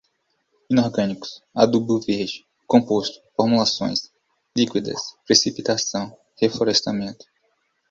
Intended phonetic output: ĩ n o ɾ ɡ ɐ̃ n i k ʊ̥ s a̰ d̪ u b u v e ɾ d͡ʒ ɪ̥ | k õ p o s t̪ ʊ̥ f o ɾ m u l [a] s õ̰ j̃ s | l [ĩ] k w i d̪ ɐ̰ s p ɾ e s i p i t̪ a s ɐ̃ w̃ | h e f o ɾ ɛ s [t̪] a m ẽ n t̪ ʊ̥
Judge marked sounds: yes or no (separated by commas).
yes, no, yes